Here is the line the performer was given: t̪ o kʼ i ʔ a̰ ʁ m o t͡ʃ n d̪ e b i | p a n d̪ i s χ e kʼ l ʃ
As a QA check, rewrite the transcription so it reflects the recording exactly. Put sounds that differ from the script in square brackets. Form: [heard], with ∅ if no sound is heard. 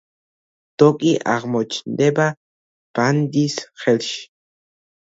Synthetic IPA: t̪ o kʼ i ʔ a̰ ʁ m o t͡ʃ n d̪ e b [a] | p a n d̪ i s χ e [∅] l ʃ